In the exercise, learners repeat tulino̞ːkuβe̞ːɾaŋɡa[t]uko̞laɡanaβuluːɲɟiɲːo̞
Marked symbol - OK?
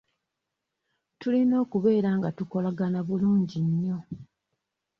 yes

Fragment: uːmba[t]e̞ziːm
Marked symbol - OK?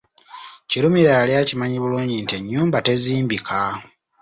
yes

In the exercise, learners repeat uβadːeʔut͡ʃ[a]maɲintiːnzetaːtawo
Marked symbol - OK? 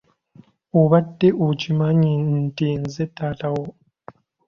no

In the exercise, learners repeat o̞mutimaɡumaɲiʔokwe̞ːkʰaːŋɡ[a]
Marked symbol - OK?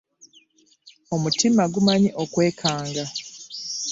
yes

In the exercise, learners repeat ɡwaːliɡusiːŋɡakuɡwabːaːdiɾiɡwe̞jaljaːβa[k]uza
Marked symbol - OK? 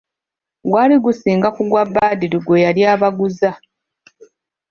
no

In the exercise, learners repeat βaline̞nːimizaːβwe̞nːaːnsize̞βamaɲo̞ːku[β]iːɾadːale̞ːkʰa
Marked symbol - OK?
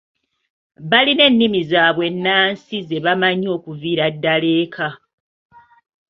no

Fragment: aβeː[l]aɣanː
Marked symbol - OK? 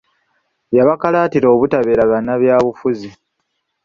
no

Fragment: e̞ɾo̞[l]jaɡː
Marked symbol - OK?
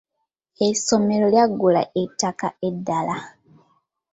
yes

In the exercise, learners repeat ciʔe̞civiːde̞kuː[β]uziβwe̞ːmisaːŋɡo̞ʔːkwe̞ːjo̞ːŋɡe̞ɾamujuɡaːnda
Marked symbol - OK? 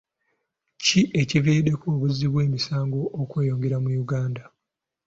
yes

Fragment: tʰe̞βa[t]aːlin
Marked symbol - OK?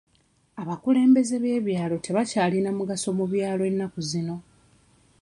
no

